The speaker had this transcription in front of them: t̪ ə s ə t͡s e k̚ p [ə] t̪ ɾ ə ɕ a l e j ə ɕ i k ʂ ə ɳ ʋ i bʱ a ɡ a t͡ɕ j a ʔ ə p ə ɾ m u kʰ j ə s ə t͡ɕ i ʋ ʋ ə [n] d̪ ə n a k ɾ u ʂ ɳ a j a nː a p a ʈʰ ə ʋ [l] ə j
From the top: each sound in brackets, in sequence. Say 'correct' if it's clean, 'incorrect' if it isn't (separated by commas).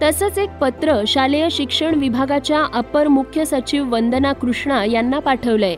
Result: correct, correct, correct